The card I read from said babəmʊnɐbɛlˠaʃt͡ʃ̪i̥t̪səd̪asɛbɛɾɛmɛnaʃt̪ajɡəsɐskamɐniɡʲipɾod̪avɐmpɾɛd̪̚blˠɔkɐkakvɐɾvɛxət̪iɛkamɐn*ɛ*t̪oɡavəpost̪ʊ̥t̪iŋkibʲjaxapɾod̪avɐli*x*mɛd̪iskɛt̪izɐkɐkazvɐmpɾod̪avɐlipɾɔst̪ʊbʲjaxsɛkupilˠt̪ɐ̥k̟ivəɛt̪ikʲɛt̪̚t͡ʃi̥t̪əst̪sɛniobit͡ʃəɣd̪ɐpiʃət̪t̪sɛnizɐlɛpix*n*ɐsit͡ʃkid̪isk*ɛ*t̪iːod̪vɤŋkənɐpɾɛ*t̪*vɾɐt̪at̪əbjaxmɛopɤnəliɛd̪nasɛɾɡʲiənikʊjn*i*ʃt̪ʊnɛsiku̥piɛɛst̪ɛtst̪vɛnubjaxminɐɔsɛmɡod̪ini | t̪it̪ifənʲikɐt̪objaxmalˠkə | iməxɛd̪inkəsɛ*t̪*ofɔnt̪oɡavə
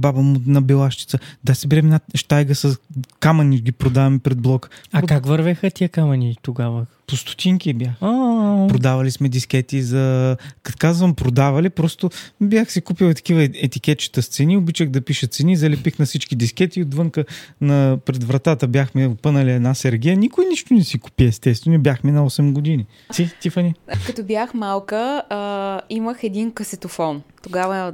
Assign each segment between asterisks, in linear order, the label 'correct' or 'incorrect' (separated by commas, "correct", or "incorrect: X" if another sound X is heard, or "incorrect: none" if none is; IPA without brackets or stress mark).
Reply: incorrect: i, incorrect: s, correct, correct, incorrect: d̪, correct, correct